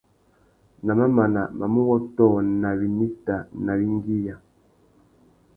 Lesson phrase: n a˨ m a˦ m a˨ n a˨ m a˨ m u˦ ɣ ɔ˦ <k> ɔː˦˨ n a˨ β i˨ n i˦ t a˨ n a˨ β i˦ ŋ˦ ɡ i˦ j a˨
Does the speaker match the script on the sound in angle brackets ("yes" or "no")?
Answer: no